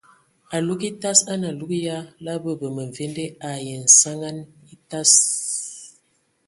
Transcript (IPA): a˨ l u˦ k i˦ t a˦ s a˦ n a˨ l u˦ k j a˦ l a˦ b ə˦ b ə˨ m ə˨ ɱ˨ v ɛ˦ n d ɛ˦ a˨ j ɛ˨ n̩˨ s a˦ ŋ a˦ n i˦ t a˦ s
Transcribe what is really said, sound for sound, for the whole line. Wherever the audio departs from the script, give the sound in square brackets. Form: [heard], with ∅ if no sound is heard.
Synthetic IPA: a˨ l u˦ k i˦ t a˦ s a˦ n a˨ l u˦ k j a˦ l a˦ b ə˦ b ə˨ m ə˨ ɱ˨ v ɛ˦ n d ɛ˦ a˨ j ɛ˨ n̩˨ s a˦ ŋ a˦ n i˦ t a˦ s